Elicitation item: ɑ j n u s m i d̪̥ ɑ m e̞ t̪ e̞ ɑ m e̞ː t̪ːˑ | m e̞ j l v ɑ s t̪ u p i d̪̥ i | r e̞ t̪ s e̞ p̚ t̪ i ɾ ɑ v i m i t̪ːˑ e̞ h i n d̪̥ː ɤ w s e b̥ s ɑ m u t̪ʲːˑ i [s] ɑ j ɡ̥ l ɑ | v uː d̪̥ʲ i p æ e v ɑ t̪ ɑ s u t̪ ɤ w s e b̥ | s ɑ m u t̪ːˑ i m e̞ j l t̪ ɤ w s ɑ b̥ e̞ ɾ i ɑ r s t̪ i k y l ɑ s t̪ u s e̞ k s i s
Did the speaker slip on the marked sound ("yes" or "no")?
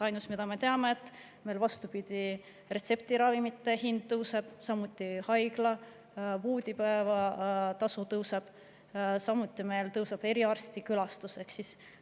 yes